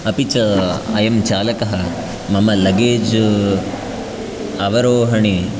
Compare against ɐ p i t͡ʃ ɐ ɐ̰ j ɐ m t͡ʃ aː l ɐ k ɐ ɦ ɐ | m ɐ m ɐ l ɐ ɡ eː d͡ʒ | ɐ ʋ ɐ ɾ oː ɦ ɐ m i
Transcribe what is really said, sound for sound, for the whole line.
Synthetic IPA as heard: ɐ p i t͡ʃ ɐ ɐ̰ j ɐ m t͡ʃ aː l ɐ k ɐ ɦ ɐ | m ɐ m ɐ l ɐ ɡ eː d͡ʒ | ɐ ʋ ɐ ɾ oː ɦ ɐ ɳ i